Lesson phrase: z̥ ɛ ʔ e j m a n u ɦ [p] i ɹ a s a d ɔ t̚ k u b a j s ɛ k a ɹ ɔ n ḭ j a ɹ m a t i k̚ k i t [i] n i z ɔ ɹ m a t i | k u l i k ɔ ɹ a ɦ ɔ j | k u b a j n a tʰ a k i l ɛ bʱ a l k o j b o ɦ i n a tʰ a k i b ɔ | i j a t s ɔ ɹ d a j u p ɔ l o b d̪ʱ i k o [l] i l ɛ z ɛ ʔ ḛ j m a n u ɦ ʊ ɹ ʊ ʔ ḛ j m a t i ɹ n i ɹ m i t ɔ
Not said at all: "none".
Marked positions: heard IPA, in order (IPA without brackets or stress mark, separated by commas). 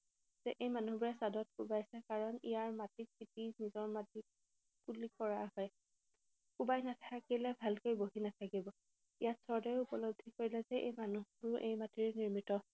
b, i, ɹ